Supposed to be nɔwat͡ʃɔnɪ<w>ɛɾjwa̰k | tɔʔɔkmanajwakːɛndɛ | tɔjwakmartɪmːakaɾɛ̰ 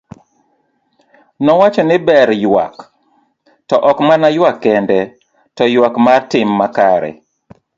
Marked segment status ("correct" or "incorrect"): incorrect